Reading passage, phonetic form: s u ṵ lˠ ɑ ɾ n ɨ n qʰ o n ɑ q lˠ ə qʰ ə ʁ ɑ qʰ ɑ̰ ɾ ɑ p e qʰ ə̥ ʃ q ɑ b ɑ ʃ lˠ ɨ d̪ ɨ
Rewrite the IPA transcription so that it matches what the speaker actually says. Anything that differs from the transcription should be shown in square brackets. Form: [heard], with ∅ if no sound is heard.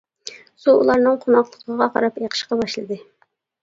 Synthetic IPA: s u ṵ lˠ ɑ ɾ n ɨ [ŋ] qʰ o n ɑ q lˠ ə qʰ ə ʁ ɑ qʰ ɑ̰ ɾ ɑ p e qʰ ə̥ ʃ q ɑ b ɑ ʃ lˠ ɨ d̪ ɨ